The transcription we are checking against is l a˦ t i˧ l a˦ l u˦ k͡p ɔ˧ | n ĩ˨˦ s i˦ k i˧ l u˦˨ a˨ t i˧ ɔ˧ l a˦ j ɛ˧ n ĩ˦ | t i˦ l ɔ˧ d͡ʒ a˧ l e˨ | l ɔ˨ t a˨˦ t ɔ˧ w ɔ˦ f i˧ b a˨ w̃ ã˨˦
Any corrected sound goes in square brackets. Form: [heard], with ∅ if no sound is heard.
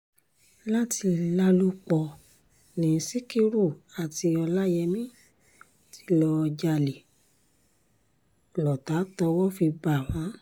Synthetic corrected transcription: l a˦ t i˧ l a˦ l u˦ k͡p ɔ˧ | n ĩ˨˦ s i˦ k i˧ [ɾ] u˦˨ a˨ t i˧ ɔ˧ l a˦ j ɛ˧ [m] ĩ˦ | t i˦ l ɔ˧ d͡ʒ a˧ l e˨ | l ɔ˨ t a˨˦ t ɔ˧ w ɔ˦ f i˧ b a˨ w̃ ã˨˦